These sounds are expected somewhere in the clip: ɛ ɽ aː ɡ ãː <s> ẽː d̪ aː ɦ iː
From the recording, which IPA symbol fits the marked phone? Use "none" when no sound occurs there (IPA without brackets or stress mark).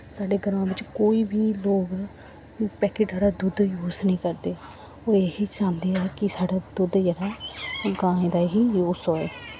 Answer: none